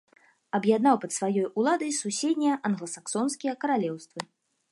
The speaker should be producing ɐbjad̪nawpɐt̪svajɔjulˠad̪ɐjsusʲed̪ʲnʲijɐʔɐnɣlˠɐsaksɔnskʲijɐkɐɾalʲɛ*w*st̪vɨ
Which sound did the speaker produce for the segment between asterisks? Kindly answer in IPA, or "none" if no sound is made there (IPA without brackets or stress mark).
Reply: w